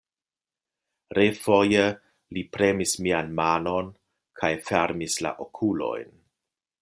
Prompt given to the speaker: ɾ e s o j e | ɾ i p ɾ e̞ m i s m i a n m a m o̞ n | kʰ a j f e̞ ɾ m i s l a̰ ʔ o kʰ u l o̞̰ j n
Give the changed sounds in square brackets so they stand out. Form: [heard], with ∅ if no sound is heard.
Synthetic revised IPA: ɾ e [f] o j e | [l] i p ɾ e̞ m i s m i a n m a [n] o̞ n | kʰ a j f e̞ ɾ m i s l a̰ ʔ o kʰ u l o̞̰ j n